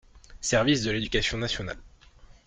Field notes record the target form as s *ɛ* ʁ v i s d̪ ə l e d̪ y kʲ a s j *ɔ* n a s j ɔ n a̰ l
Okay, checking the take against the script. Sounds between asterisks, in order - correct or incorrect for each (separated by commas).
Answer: correct, incorrect